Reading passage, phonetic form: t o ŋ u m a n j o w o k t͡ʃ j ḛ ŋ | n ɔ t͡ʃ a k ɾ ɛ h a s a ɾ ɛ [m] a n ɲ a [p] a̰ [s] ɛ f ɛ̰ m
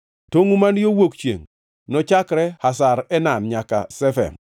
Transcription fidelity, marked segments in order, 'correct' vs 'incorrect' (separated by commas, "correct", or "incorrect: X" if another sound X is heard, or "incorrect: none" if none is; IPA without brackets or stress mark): incorrect: n, incorrect: k, correct